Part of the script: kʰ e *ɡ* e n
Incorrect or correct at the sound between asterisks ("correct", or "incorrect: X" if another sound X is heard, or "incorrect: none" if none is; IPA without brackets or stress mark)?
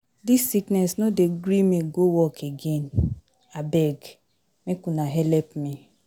correct